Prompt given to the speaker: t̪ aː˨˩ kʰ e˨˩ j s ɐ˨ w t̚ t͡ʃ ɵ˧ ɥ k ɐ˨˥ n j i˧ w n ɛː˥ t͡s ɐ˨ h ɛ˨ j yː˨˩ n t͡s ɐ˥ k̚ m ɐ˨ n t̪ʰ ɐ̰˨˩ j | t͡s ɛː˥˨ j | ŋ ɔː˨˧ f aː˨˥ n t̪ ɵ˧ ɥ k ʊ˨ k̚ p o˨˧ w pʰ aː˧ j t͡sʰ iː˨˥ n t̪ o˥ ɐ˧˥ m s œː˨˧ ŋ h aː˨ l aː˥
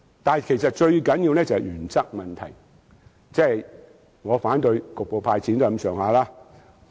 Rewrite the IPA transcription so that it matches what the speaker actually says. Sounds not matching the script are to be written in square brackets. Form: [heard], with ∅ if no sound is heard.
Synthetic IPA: t̪ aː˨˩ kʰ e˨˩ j s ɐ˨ [∅] t̚ t͡ʃ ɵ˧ ɥ k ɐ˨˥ n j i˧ w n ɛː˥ t͡s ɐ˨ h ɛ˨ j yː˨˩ n t͡s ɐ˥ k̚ m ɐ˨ n t̪ʰ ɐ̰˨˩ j | t͡s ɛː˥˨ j | ŋ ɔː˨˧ f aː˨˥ n t̪ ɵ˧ ɥ k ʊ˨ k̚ p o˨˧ w pʰ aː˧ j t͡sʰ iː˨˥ n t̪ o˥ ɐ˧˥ m s œː˨˧ ŋ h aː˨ l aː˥